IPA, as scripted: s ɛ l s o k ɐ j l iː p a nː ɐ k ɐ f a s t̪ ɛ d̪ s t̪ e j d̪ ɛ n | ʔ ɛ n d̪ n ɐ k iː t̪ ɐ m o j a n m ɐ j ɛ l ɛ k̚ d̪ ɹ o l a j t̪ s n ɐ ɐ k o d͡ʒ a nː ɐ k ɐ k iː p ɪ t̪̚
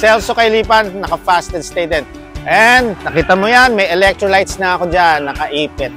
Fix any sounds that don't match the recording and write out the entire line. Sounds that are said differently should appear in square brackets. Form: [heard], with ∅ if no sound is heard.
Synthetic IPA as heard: s ɛ l s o k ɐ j l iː p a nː ɐ k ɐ f a s t̪ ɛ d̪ s t̪ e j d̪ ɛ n | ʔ ɛ n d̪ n ɐ k iː t̪ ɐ m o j a n m ɐ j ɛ l ɛ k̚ [t̪] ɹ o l a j t̪ s n ɐ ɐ k o d͡ʒ a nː ɐ k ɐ [ʔ] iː p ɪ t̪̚